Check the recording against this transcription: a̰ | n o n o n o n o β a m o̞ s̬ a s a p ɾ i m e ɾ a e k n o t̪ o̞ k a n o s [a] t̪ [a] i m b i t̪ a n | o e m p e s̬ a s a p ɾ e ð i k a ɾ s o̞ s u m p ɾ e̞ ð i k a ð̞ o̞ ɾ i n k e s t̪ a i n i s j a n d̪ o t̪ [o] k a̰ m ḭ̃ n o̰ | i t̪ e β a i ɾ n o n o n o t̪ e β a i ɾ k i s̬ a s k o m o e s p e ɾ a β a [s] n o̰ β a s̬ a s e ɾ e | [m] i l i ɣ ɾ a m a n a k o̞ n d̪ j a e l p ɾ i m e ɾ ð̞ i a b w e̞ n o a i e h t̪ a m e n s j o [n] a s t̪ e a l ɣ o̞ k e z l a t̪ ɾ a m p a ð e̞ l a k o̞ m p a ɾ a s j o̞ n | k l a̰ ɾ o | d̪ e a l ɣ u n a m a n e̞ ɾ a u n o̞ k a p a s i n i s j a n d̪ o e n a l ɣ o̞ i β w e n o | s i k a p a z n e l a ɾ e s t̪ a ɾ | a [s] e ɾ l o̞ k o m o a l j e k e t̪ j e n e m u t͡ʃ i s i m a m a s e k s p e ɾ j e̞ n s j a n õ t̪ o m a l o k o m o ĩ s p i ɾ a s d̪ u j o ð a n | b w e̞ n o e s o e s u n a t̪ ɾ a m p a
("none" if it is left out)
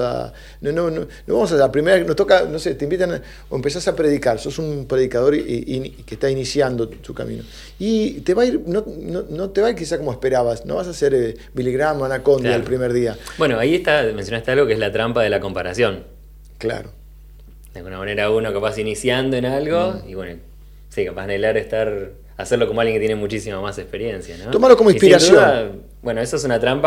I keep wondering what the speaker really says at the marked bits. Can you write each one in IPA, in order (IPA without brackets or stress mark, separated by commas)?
e, e, u, s, b, n, s